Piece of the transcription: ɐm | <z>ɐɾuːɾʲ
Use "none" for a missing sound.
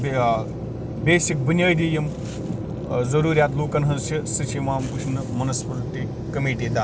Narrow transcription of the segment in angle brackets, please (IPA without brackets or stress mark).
z